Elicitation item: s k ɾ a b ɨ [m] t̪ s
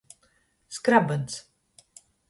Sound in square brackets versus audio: incorrect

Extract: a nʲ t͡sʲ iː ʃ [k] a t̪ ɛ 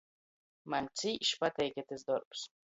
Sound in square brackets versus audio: incorrect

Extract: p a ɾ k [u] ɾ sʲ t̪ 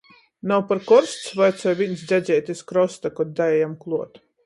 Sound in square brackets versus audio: incorrect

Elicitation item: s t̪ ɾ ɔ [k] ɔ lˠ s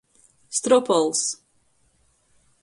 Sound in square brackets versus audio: incorrect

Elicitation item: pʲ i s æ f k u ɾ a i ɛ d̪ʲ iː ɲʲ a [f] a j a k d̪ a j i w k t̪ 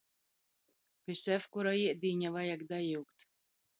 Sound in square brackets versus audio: incorrect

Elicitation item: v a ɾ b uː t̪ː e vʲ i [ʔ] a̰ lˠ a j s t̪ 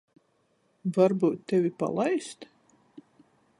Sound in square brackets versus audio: incorrect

